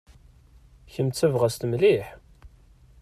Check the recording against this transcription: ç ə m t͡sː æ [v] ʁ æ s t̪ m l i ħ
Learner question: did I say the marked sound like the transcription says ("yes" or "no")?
yes